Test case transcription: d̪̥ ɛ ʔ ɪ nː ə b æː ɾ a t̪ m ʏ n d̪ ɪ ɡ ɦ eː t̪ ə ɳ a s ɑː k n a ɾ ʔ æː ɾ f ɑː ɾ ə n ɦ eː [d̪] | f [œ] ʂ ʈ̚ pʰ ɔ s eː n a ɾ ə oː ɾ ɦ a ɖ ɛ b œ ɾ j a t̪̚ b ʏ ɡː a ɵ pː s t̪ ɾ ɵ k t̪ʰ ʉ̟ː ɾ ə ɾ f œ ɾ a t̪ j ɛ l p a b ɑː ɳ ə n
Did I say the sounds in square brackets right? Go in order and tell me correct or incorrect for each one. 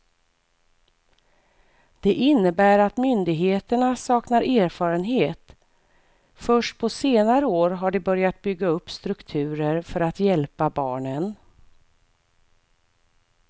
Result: incorrect, correct

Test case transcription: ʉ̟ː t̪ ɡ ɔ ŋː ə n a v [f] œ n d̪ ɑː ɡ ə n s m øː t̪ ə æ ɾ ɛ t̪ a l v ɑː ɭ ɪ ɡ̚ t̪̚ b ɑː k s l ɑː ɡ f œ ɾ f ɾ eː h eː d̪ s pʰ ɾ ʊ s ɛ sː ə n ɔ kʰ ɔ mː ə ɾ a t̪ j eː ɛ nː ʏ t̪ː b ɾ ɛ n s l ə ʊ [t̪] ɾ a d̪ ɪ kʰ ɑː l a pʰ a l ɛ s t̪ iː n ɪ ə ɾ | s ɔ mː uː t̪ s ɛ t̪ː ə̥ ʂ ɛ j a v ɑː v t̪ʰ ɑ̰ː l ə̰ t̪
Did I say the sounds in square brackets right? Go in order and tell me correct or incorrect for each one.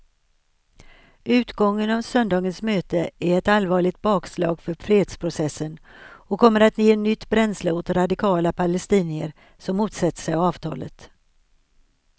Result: incorrect, correct

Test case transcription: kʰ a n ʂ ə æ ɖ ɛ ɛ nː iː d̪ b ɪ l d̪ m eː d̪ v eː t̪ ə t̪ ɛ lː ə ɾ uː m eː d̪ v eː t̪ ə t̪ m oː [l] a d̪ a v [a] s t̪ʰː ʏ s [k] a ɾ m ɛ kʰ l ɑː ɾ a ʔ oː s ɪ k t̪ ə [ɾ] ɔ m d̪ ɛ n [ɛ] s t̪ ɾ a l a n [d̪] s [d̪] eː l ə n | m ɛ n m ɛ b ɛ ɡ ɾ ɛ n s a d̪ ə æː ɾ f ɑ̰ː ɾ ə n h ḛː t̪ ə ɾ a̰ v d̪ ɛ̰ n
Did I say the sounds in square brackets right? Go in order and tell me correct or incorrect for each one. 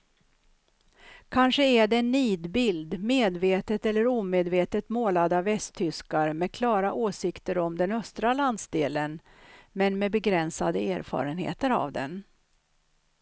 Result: correct, incorrect, correct, correct, incorrect, correct, correct

